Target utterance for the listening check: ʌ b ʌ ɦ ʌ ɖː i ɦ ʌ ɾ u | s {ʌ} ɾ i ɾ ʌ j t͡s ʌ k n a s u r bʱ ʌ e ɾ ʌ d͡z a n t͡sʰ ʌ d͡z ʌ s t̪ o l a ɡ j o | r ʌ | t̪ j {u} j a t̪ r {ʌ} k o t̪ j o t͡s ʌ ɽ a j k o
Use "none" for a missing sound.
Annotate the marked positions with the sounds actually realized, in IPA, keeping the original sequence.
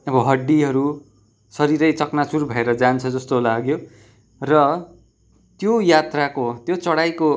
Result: ʌ, o, a

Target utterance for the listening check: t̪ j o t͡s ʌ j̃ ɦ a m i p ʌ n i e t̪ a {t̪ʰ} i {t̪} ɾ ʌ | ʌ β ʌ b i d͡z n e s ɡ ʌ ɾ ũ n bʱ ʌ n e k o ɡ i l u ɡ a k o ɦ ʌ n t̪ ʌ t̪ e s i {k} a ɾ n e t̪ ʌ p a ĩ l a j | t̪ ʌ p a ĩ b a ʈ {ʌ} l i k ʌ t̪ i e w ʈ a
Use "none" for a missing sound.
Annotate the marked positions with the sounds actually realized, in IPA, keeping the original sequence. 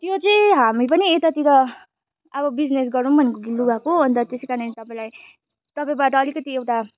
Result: t̪, none, k, ʌː

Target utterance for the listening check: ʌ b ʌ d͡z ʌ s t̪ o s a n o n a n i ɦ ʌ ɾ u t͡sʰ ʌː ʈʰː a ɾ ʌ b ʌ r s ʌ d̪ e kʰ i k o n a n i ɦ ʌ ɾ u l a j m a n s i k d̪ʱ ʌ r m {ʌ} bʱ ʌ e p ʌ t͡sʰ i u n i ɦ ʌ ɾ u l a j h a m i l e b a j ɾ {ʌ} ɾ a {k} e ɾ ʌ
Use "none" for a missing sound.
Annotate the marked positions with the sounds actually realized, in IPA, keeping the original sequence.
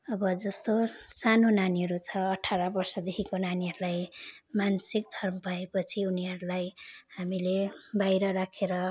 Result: ʌ, ʌ, kʰ

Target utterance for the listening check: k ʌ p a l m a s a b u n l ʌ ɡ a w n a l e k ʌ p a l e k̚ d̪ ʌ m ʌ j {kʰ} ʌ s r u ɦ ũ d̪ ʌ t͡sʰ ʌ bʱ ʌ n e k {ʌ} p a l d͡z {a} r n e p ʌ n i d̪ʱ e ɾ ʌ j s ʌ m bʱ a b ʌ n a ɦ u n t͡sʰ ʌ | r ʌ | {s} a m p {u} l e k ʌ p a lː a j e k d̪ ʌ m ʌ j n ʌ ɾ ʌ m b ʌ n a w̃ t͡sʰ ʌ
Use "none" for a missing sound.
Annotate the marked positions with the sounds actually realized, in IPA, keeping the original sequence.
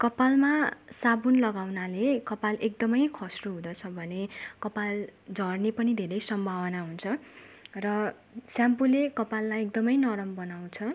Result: kʰ, ʌ, ʌ, s, u

